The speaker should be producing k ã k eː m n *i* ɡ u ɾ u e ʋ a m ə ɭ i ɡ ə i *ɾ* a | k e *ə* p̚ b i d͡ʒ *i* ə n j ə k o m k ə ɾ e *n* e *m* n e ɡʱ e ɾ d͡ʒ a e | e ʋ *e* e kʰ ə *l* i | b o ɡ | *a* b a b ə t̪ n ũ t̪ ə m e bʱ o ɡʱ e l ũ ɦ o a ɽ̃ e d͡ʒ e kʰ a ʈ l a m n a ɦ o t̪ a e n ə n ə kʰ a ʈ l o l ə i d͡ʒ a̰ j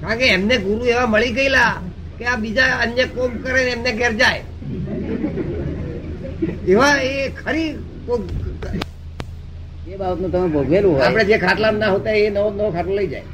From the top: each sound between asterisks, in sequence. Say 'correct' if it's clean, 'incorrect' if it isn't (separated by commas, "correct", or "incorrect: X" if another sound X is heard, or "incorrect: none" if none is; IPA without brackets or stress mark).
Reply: incorrect: e, incorrect: l, incorrect: a, incorrect: a, correct, correct, incorrect: a, incorrect: ɾ, incorrect: e